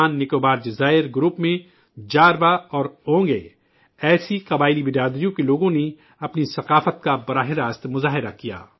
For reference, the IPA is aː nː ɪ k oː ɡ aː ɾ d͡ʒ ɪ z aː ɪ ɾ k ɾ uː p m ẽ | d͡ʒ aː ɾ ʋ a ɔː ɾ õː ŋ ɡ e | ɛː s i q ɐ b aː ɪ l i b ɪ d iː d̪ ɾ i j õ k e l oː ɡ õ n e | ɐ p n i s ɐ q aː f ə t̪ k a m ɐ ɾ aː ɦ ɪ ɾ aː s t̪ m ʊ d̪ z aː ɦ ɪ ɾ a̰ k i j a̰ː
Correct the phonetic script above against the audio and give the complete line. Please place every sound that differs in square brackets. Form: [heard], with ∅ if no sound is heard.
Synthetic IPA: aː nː ɪ k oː [b] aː ɾ d͡ʒ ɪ z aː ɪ ɾ [ɡ] ɾ uː p m ẽ | d͡ʒ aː ɾ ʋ a ɔː ɾ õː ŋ ɡ e | ɛː s i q ɐ b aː ɪ l i b ɪ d [aː] d̪ ɾ i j õ k e l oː ɡ õ n e | ɐ p n i s ɐ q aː f ə t̪ k a [b] ɐ ɾ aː ɦ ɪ ɾ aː s t̪ m ʊ [∅] z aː ɦ ɪ ɾ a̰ k i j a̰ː